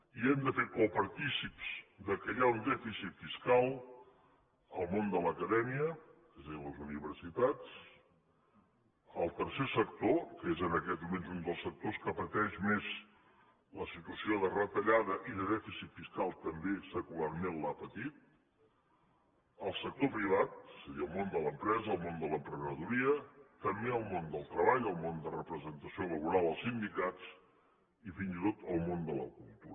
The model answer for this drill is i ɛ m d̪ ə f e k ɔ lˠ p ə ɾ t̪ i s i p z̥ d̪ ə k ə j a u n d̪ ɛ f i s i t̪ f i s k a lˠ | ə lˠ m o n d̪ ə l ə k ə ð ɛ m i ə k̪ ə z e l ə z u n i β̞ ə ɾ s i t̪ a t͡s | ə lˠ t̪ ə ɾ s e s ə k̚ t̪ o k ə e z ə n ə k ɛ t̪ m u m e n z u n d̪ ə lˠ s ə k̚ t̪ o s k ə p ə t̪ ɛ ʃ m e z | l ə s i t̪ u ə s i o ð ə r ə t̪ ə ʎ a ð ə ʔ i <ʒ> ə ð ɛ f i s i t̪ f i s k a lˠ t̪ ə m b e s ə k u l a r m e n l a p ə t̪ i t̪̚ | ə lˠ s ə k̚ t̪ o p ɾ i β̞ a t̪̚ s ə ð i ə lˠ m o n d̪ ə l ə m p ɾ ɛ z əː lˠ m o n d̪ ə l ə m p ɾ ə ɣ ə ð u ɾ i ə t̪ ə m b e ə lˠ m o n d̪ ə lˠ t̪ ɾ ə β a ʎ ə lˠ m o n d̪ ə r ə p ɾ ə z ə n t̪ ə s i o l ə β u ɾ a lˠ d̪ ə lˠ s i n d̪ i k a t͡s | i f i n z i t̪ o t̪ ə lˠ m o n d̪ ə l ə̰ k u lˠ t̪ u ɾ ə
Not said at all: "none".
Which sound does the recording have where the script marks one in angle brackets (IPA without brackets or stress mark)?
ð